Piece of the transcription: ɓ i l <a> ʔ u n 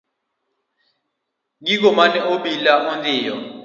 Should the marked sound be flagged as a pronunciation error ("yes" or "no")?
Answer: no